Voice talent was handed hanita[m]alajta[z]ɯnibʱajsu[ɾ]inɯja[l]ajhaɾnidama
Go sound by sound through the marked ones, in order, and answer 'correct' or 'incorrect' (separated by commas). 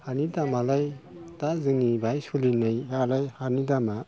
correct, correct, incorrect, correct